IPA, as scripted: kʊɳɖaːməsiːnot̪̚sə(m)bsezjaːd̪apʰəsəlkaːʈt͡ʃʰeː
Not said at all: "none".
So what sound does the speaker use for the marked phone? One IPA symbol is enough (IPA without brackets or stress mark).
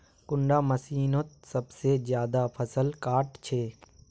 none